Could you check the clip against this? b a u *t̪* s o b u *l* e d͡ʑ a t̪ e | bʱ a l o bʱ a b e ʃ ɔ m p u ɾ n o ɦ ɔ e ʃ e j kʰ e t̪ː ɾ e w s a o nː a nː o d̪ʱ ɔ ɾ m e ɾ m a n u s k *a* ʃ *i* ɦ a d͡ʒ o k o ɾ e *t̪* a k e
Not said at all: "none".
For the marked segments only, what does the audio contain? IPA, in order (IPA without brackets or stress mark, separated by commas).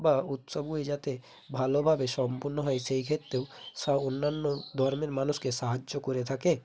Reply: t̪, none, e, a, t̪ʰ